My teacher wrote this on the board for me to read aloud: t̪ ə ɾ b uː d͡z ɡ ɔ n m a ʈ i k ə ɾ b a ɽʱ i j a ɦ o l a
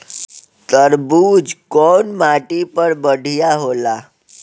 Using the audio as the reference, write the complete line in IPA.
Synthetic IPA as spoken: t̪ ə ɾ b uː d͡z k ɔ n m a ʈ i p ə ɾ b ə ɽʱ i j a ɦ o l a